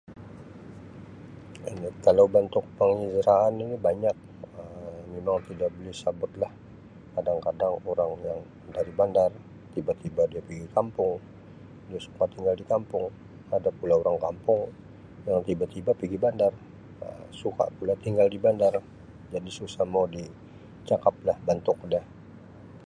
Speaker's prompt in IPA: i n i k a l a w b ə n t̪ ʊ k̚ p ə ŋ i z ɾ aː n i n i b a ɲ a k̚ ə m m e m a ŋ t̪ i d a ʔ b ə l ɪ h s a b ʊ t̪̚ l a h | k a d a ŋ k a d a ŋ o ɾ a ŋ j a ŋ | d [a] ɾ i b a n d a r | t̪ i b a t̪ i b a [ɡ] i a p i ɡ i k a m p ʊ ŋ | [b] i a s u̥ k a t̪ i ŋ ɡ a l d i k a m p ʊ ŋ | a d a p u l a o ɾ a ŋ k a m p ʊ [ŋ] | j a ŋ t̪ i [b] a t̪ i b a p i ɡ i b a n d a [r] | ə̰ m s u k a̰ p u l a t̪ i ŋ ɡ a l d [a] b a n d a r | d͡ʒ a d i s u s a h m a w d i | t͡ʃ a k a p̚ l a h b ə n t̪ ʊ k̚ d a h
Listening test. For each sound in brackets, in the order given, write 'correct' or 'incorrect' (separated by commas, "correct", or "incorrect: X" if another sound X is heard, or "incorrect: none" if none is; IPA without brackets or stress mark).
correct, incorrect: d, incorrect: d, correct, correct, correct, incorrect: i